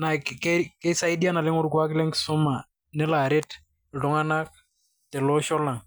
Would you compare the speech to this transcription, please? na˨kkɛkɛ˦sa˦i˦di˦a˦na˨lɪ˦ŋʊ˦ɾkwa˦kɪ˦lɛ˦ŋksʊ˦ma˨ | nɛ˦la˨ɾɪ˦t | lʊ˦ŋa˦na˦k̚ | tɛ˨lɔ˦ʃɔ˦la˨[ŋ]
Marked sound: correct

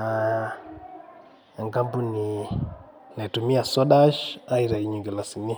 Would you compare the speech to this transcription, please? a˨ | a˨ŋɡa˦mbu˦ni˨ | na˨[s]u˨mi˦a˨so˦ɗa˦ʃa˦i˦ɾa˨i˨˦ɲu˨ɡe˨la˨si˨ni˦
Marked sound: incorrect: t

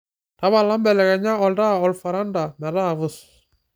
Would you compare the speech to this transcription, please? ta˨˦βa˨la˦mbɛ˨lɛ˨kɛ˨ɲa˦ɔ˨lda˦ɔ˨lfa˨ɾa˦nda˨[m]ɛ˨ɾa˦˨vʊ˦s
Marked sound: correct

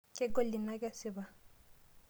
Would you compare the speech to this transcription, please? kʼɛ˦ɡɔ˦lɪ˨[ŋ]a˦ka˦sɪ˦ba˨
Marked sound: incorrect: n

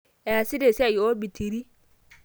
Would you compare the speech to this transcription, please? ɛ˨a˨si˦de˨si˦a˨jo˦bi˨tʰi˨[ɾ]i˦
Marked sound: correct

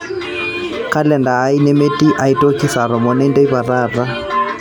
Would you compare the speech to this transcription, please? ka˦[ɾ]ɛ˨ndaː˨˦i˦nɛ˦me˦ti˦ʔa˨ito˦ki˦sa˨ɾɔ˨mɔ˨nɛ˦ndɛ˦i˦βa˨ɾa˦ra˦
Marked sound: incorrect: l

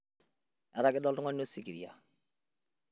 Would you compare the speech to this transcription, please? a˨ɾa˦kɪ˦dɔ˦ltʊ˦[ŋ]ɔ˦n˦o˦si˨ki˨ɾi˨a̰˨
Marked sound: correct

